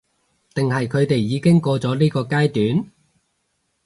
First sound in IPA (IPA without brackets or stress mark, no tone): t̪